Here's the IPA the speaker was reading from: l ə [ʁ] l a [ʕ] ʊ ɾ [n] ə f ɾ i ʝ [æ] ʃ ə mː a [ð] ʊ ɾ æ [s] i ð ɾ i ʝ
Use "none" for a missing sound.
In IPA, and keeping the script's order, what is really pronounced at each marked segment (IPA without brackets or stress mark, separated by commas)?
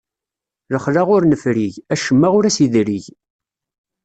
χ, ʁ, n, æ, ʁ, s